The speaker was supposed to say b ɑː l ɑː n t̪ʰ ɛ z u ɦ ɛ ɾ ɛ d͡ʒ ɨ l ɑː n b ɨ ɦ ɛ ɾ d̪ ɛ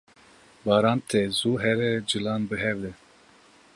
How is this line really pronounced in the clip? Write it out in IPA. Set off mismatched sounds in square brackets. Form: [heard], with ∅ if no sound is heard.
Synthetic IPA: b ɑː [ɾ] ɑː n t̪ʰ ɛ z u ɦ ɛ ɾ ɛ d͡ʒ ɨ l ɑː n b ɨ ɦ ɛ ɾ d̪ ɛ